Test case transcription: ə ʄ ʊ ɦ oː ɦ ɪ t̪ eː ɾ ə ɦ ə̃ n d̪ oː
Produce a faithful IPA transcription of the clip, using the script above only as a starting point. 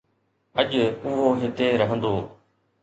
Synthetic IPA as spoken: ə ʄ ʊ ɦ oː ɦ ɪ t̪ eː ɾ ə ɦ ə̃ n d̪ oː